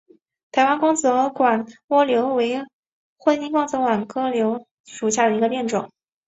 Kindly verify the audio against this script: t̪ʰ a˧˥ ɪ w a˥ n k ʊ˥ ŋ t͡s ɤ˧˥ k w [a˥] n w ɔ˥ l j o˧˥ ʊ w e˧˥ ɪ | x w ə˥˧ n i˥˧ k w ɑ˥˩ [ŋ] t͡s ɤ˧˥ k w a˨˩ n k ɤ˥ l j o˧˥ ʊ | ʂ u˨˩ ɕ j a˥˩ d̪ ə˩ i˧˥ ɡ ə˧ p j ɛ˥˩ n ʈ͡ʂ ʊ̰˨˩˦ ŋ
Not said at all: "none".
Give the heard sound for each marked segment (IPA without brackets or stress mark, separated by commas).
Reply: a˨˩, ŋ